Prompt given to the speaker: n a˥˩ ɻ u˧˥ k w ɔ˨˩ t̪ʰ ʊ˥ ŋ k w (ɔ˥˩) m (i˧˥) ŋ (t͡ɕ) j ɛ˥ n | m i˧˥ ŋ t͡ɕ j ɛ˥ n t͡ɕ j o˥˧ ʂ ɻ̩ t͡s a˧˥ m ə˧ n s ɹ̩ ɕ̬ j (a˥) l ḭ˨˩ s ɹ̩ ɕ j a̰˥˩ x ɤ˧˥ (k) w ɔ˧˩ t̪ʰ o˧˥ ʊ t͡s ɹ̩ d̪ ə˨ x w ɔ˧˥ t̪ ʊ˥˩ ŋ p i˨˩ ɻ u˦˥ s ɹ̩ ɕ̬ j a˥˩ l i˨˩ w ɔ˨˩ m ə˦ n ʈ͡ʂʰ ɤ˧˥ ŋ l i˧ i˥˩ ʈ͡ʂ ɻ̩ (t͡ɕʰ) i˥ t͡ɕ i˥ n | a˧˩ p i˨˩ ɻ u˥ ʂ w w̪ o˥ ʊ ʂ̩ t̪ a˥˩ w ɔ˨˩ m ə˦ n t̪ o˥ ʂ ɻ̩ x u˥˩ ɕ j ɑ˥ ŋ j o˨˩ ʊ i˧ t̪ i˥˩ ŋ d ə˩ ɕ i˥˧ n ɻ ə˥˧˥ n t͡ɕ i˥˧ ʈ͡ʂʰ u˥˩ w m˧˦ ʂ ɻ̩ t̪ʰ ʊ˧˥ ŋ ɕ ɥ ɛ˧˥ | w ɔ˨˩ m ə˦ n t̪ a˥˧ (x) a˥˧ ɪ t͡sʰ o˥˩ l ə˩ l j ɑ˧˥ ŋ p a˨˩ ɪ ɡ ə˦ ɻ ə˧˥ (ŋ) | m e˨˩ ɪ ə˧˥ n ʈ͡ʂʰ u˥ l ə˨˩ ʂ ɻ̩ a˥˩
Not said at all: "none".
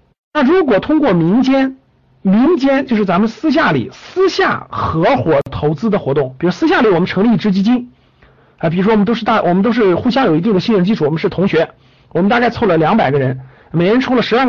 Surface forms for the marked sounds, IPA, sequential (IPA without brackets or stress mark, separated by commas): ɔ˥˩, i˧˥, t͡ɕ, a˥˩, x, t͡ɕ, k, n